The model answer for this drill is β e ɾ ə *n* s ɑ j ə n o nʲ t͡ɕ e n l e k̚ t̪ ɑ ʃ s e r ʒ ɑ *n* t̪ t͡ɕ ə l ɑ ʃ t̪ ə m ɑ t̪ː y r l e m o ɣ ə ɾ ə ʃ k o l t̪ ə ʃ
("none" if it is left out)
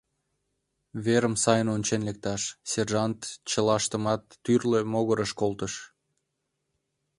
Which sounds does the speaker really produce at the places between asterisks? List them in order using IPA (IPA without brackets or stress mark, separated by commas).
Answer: m, n